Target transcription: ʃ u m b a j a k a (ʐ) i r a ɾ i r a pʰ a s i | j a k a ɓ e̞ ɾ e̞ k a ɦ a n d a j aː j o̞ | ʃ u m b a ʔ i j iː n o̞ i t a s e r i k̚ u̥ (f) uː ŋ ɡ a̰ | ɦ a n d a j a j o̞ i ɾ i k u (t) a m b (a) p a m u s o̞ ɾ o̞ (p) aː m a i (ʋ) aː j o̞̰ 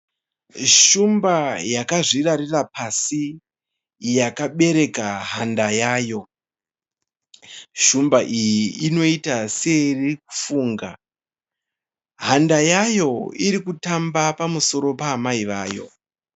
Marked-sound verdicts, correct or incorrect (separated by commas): correct, correct, correct, correct, correct, correct